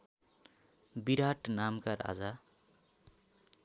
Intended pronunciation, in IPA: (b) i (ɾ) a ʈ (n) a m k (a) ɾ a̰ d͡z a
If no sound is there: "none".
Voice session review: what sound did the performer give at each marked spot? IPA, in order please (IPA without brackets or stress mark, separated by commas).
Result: b, ɾ, n, a